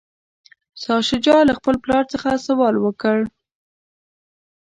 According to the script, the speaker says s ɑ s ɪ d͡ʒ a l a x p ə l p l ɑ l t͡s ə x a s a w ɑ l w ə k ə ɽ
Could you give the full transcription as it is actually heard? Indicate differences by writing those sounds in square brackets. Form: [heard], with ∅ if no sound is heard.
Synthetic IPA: s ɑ [ʃ] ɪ d͡ʒ [ɑ] l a x p ə l p l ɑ [ɾ] t͡s ə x a s a w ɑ l w ə k ə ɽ